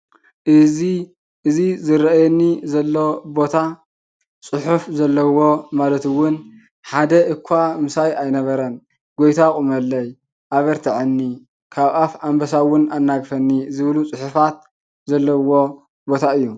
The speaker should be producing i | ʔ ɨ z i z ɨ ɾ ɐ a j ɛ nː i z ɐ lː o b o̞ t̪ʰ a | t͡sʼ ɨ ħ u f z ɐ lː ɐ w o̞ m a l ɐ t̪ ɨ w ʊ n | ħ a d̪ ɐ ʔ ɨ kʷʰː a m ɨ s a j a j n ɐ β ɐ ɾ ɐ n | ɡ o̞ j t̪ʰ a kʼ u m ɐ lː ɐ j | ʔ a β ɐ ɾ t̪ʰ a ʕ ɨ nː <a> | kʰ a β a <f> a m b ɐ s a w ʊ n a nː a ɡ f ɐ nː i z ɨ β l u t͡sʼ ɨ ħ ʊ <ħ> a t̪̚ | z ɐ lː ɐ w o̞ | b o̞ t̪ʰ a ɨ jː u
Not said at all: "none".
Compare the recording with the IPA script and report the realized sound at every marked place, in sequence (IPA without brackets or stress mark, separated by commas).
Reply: i, f, f